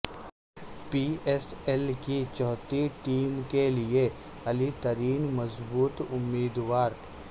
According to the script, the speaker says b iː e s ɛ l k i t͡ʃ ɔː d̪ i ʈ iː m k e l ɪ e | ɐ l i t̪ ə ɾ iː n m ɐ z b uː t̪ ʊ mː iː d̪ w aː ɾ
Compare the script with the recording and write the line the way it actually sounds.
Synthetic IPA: p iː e s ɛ l k i t͡ʃ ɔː t̪ i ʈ iː m k e l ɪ e | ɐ l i t̪ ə ɾ iː n m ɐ z b uː t̪ ʊ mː iː d̪ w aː ɾ